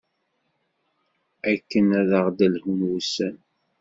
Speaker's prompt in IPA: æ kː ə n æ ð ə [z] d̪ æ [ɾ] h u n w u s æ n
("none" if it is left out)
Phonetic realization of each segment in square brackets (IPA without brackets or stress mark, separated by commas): ʁ, l